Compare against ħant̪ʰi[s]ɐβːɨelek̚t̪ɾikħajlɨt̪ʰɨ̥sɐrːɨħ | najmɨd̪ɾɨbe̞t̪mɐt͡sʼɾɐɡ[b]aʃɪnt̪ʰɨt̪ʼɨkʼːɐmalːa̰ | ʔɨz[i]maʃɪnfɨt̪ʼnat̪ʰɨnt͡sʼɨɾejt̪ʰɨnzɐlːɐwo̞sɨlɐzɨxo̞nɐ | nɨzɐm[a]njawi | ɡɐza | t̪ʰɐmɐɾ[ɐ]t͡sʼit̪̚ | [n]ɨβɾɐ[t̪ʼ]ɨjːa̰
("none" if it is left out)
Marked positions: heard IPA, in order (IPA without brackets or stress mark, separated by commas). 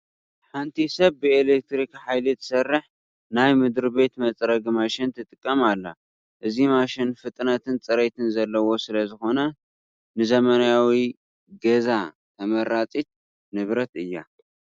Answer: s, m, i, ɐ, a, n, t̪